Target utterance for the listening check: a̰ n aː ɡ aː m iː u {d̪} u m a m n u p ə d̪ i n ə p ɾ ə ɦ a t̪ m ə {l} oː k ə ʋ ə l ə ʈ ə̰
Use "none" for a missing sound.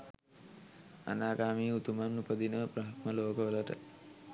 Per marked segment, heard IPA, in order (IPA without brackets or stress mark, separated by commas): t̪, l